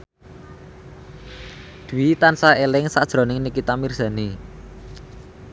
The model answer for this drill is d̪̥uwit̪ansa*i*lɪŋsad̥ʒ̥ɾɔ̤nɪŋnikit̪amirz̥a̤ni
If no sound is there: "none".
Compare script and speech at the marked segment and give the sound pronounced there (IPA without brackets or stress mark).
e